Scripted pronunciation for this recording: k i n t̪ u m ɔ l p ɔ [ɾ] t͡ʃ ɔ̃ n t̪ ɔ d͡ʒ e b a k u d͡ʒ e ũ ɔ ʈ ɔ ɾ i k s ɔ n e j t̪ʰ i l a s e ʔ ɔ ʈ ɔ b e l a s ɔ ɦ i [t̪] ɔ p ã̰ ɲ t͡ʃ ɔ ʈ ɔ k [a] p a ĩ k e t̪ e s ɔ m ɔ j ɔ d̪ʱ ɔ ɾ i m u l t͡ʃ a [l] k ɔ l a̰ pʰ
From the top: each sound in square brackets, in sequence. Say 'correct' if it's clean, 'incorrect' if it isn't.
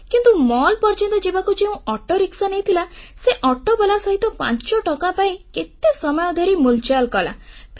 correct, correct, correct, correct

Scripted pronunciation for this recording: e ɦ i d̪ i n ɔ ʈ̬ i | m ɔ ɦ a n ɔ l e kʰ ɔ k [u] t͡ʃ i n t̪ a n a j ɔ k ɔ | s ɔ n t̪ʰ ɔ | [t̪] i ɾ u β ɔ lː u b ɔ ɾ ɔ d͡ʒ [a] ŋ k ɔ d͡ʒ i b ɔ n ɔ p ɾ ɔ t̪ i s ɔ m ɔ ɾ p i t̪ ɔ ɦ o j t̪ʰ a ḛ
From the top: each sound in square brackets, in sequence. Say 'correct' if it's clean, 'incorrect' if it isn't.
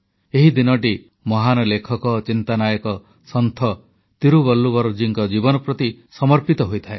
incorrect: ɔ, correct, incorrect: i

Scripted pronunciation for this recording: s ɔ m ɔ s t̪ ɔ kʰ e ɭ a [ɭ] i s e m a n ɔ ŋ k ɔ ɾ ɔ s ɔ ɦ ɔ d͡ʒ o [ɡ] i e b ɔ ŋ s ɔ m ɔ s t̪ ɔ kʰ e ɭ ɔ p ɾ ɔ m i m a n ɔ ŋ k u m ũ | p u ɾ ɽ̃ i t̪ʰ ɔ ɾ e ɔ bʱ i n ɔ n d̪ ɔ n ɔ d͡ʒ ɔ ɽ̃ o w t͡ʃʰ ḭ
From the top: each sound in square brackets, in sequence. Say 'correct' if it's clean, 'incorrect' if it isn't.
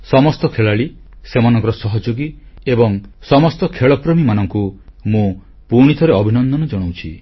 correct, correct

